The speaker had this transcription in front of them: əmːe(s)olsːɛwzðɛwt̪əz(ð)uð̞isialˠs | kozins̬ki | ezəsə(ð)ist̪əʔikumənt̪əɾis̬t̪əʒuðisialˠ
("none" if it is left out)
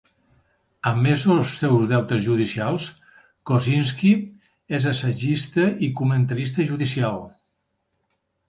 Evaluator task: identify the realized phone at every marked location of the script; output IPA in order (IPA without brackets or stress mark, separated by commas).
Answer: z, ʒ, ʒ